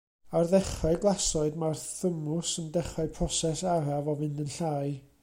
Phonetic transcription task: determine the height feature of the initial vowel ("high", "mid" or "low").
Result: low